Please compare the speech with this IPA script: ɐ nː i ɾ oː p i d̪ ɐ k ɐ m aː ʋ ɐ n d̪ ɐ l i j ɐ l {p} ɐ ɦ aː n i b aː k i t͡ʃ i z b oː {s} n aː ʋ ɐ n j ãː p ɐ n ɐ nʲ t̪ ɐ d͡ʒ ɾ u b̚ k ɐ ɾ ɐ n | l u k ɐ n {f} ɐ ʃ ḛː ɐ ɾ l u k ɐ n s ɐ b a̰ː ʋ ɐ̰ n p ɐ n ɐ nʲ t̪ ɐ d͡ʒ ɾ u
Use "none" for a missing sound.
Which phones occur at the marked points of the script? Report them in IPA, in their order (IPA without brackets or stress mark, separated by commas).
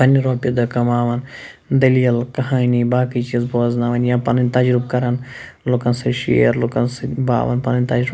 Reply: k, z, s